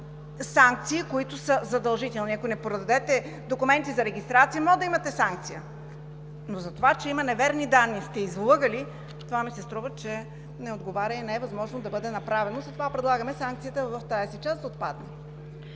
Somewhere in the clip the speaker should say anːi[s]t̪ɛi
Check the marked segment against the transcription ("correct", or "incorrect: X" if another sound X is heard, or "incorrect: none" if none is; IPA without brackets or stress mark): correct